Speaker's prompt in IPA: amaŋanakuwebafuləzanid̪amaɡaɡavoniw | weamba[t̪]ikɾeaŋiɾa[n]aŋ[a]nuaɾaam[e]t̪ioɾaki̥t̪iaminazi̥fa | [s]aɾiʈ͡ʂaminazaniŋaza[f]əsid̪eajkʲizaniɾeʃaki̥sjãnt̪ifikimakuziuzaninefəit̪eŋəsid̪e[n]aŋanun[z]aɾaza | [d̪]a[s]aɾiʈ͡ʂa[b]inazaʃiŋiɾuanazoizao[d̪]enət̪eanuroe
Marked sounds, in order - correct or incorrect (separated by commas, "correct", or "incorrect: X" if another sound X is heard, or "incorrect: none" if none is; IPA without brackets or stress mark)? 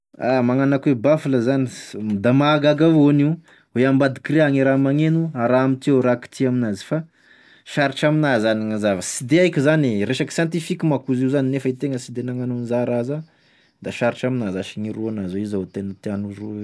incorrect: d̪, incorrect: m, incorrect: e, incorrect: i, incorrect: ʃ, incorrect: v, correct, correct, correct, incorrect: ʃ, incorrect: m, incorrect: t̪